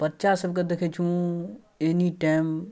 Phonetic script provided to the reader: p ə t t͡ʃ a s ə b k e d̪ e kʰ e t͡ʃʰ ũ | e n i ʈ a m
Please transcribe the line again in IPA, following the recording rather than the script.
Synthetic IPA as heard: p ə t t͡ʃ a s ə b k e d̪ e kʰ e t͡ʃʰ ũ | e n i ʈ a m